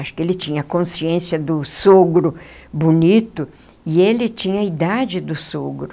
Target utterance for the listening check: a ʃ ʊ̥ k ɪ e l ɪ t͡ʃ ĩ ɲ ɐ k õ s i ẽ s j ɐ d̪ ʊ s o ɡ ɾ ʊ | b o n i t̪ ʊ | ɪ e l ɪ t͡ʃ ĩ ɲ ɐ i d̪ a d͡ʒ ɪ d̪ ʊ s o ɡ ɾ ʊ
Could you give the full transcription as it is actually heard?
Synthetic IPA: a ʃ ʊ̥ k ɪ e l ɪ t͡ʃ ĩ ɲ ɐ k õ s i ẽ s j ɐ d̪ ʊ s o ɡ ɾ ʊ | b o n i t̪ ʊ | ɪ e l ɪ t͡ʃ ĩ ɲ ɐ i d̪ a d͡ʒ ɪ d̪ ʊ s o ɡ ɾ ʊ